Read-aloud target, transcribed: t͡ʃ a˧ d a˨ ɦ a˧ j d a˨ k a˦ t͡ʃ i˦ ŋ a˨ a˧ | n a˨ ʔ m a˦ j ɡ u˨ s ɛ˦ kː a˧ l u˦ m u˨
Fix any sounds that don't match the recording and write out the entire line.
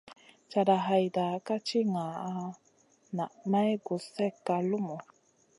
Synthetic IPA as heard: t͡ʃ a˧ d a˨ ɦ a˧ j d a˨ k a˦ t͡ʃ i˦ ŋ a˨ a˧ | n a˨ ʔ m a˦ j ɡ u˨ s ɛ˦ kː a˧ l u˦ m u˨